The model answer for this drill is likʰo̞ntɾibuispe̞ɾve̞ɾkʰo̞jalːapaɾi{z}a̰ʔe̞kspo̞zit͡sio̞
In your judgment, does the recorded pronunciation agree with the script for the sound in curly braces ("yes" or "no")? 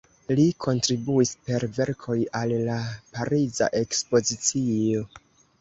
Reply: yes